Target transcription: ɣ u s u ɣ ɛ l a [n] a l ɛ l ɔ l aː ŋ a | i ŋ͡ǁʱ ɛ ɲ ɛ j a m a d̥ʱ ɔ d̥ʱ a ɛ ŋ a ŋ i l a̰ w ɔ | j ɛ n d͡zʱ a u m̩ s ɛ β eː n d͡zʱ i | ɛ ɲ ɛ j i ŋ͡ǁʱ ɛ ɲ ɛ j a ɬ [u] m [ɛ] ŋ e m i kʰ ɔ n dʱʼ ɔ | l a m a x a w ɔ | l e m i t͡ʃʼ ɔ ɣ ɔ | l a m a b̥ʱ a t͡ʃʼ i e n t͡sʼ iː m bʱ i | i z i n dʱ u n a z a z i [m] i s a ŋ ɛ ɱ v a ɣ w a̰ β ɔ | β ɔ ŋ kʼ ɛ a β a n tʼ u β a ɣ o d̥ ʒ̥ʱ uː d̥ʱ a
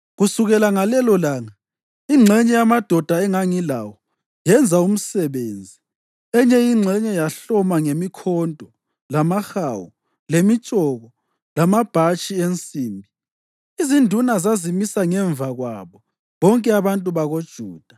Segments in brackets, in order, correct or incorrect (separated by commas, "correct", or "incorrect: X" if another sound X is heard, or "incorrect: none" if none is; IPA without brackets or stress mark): incorrect: ŋ, incorrect: ɔ, incorrect: a, correct